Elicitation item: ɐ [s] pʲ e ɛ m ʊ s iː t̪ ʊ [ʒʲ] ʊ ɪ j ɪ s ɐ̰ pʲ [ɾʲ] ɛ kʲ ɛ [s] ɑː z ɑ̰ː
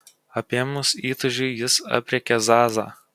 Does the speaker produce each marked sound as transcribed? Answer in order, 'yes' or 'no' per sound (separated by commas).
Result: no, yes, yes, no